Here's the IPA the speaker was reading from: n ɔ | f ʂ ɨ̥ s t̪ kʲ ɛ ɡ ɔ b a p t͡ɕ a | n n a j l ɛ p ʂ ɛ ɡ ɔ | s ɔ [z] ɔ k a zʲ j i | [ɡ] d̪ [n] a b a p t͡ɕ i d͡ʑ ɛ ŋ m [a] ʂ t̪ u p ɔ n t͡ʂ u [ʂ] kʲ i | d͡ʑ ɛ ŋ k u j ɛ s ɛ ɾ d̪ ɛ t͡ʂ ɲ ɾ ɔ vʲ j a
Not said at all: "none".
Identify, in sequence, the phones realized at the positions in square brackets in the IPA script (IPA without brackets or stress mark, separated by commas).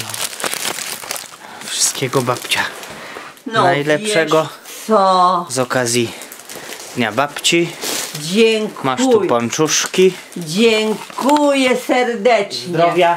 z, d, ɲ, a, ʂ